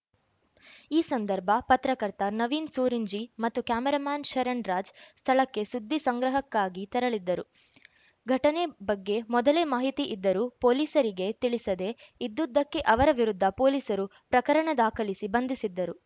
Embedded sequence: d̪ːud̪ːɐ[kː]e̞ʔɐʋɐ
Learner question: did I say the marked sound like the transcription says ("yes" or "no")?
yes